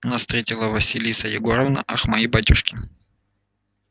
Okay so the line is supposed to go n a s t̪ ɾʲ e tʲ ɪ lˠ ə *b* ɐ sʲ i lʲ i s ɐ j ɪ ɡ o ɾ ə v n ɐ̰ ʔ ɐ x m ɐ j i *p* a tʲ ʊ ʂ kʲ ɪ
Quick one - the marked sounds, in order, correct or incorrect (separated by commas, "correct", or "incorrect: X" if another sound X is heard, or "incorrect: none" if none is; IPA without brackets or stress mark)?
incorrect: v, incorrect: b